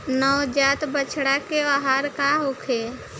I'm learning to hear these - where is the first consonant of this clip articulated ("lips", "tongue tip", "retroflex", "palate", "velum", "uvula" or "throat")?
tongue tip